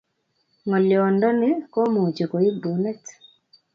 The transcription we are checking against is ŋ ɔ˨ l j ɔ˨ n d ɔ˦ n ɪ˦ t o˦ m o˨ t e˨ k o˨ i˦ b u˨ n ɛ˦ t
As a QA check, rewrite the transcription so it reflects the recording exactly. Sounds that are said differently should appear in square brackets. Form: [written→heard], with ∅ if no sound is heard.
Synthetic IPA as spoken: ŋ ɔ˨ l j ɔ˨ n d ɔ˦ n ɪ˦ [t→k] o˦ m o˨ [t→t͡ʃ] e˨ k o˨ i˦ b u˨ n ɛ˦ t